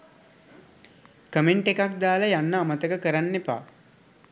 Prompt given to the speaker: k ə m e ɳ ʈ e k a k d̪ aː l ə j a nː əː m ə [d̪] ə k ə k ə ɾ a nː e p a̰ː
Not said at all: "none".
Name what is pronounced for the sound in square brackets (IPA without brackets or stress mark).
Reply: t̪